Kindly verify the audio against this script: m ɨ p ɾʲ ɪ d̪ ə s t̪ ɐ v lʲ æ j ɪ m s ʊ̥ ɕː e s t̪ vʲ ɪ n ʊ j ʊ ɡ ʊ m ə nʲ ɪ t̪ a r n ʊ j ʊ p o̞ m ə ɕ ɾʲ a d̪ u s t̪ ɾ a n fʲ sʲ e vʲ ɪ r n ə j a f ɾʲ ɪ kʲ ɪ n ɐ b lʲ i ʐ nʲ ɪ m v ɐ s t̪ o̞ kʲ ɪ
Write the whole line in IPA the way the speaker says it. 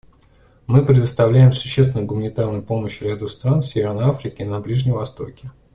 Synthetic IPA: m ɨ p ɾʲ ɪ d̪ ə s t̪ ɐ v lʲ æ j ɪ m s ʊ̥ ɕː e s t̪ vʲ ɪ n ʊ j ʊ ɡ ʊ m ə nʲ ɪ t̪ a r n ʊ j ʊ p o̞ m ə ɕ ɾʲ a d̪ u s t̪ ɾ a n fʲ sʲ e vʲ ɪ r n ə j a f ɾʲ ɪ kʲ ɪ n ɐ b lʲ i ʐ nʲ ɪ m v ɐ s t̪ o̞ kʲ ɪ